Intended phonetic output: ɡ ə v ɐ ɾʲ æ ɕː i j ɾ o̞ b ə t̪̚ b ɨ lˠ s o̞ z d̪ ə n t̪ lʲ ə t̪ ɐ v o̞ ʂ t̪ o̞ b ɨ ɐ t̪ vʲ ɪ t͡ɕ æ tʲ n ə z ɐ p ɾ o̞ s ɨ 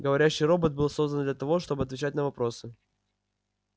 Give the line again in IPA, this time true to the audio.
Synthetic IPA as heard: ɡ ə v ɐ ɾʲ æ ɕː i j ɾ o̞ b ə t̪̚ b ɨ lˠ s o̞ z d̪ ə n d̪ lʲ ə t̪ ɐ v o̞ ʂ t̪ o̞ b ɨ ɐ t̪ vʲ ɪ t͡ɕ æ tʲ n ə v ɐ p ɾ o̞ s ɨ